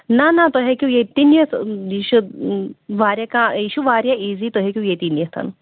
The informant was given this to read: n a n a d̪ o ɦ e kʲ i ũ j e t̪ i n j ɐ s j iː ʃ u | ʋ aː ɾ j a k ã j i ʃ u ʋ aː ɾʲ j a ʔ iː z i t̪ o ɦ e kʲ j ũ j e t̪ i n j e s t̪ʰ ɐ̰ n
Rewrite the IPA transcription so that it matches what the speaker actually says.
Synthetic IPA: n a n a t̪ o ɦ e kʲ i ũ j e t̪ i n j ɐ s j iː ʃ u | ʋ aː ɾ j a k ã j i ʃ u ʋ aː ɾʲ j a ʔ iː z i t̪ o ɦ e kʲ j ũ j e t̪ i n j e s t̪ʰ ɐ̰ n